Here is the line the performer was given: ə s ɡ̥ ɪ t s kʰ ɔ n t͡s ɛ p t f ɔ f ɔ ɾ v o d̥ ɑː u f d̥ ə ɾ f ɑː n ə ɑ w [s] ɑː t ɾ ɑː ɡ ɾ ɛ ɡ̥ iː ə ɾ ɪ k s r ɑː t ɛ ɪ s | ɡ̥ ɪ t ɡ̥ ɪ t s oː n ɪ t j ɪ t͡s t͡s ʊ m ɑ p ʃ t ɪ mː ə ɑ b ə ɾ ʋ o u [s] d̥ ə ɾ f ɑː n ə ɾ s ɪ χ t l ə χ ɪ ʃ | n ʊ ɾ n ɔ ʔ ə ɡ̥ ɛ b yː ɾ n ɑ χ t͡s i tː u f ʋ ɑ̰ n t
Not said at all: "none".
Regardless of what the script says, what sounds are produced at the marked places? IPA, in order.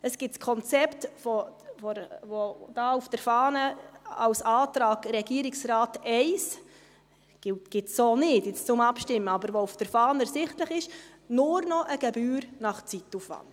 s, f

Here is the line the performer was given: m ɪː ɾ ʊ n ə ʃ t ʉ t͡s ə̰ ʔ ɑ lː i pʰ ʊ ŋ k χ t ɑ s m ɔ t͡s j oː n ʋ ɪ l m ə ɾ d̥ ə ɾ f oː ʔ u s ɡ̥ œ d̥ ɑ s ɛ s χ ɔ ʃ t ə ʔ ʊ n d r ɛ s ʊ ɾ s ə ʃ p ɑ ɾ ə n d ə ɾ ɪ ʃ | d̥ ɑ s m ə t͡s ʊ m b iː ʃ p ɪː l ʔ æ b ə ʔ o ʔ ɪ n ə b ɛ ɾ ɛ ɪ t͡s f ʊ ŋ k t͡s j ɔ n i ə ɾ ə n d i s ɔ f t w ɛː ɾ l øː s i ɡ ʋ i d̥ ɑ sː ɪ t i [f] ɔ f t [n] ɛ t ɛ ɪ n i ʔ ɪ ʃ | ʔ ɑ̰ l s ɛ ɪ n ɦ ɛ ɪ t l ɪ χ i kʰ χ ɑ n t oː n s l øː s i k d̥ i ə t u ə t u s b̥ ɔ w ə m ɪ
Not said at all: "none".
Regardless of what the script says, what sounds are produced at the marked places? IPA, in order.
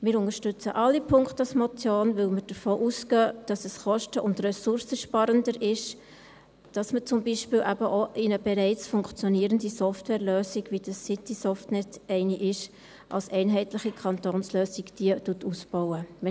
s, n

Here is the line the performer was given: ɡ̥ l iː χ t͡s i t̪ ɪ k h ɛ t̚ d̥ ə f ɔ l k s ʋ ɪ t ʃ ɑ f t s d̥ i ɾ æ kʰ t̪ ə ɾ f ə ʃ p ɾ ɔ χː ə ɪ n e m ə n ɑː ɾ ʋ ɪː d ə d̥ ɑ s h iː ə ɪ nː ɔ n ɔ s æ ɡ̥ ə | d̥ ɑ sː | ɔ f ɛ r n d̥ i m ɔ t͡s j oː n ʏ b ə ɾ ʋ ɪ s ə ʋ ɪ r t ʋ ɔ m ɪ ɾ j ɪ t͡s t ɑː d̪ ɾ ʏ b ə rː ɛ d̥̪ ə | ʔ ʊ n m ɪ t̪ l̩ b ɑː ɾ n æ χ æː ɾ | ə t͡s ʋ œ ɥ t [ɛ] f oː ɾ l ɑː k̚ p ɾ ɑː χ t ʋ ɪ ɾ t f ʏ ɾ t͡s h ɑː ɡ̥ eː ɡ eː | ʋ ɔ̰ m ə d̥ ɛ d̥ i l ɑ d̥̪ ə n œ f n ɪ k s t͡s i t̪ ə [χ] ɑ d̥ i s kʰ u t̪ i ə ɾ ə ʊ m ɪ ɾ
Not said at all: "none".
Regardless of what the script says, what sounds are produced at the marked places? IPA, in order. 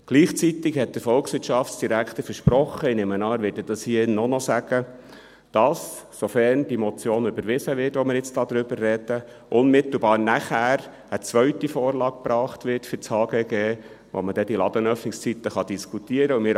i, χ

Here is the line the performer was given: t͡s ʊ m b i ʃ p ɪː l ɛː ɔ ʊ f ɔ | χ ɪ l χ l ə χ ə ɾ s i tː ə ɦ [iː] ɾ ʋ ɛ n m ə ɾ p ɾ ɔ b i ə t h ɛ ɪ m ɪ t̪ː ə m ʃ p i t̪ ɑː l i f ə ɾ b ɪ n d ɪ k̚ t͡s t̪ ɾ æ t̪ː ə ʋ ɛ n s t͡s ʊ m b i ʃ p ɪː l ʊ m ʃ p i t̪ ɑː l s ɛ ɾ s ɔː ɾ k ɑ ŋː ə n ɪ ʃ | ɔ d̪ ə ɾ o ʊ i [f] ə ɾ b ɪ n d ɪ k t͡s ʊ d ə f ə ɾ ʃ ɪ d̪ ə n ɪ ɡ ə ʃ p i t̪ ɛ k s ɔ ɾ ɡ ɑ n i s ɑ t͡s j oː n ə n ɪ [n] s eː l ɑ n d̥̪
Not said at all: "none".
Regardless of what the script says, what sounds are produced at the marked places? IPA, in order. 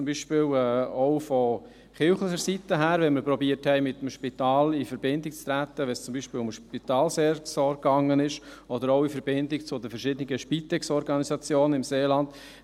æː, f, m

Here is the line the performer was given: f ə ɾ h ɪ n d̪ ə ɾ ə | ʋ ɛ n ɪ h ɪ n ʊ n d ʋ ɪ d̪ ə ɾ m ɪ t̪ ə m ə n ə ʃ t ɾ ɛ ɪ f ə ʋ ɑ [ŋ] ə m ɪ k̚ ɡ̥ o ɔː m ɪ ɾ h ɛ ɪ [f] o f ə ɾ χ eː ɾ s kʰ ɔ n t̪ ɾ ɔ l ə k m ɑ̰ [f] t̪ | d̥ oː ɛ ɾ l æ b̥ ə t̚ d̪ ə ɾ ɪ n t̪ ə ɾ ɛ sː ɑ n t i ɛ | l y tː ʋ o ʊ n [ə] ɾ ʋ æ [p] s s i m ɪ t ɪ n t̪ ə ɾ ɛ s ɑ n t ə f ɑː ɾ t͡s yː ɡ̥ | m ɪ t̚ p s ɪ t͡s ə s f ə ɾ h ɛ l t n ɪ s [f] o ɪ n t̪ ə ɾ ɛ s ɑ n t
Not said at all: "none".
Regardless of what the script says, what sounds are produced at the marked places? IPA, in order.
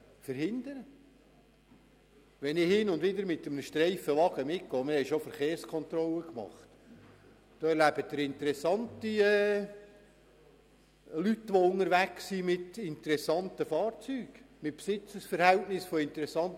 ɡ, ʃ, χ, ə, k, f

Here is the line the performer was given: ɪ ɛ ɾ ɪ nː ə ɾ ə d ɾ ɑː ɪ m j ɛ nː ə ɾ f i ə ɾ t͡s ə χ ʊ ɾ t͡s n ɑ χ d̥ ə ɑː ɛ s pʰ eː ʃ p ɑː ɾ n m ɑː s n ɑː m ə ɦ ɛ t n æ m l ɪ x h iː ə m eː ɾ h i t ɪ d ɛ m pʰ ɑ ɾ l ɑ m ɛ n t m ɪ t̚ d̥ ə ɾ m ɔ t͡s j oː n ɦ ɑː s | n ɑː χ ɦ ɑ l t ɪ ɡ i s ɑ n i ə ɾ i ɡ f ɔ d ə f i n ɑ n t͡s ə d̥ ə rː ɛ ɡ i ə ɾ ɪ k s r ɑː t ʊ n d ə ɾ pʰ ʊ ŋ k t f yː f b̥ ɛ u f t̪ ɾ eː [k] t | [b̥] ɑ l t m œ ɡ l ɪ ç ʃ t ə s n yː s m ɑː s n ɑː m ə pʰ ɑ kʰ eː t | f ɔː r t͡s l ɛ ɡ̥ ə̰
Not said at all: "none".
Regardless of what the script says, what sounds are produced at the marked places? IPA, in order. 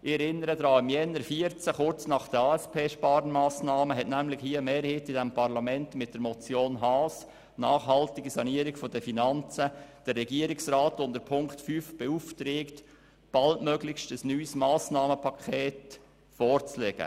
k, b̥

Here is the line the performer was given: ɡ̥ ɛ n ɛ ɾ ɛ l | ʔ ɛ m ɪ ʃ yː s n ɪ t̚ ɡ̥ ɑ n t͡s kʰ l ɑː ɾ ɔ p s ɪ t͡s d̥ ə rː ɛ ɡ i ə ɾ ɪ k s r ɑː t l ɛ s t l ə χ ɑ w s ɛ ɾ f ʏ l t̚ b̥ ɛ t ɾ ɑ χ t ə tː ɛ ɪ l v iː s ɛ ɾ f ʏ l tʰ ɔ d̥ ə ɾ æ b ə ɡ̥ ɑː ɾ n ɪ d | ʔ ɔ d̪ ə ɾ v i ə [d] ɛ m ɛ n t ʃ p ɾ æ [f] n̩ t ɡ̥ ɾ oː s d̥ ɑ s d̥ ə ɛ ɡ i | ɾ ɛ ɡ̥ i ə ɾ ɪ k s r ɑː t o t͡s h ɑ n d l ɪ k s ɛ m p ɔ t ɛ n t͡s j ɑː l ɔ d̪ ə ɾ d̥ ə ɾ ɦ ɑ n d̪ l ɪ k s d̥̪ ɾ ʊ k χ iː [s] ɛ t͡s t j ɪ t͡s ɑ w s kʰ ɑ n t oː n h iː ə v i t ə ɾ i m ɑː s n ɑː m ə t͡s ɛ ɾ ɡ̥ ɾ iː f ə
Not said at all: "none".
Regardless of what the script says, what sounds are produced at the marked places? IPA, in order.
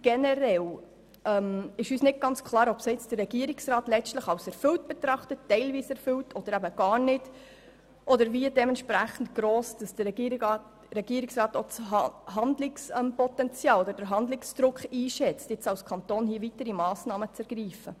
d, χ, ʃ

